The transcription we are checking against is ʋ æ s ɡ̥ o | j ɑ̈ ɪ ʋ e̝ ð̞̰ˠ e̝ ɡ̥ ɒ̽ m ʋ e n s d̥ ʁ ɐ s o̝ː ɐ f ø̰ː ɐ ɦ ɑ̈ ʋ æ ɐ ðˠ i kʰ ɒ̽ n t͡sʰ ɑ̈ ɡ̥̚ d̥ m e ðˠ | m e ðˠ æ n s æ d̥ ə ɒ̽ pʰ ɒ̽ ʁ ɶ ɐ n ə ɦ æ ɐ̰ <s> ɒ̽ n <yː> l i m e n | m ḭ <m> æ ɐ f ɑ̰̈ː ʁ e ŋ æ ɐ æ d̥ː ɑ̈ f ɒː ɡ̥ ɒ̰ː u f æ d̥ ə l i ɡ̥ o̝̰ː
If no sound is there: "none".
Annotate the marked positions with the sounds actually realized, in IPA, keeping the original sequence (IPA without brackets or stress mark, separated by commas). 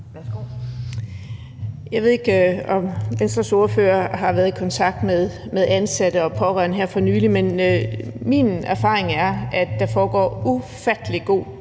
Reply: f, yː, n